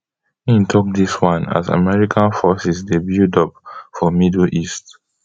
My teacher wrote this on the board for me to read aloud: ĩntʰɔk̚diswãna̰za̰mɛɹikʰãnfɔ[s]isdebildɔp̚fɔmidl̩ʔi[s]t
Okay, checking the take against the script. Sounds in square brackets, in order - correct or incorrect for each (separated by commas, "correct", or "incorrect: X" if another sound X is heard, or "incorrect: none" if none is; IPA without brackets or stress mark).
correct, correct